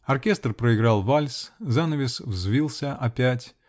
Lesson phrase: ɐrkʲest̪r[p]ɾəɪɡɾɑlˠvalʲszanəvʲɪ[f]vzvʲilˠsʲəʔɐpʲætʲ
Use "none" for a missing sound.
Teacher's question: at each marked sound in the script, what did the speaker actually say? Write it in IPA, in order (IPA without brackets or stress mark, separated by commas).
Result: p, s